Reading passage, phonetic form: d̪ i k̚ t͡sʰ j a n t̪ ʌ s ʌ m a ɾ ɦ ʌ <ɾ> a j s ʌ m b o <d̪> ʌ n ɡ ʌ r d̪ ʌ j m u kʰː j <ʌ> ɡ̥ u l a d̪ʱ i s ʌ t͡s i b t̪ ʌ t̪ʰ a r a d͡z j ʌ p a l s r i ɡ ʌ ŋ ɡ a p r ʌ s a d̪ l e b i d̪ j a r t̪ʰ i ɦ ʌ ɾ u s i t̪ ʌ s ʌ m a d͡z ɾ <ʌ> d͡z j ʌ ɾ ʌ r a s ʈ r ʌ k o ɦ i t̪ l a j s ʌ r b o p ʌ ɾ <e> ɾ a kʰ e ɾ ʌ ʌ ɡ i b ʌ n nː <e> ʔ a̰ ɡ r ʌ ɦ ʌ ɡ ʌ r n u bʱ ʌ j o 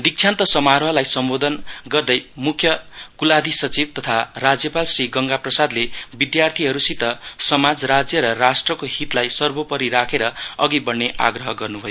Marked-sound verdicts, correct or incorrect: incorrect: l, correct, correct, incorrect: a, incorrect: i, correct

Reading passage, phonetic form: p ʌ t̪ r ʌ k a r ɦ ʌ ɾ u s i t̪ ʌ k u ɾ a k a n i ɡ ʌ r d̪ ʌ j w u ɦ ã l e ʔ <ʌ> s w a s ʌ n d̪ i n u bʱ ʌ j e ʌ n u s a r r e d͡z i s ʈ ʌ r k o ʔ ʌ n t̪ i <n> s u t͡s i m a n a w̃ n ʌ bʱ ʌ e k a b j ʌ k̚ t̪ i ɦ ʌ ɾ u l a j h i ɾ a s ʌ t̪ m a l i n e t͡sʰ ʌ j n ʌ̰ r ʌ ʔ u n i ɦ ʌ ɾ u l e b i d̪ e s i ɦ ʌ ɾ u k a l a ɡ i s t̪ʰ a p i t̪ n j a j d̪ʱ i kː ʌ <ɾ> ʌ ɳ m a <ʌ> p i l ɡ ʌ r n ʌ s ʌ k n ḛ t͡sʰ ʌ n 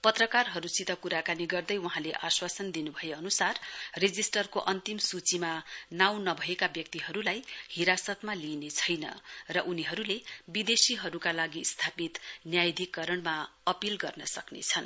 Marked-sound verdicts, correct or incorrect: incorrect: a, incorrect: m, correct, correct

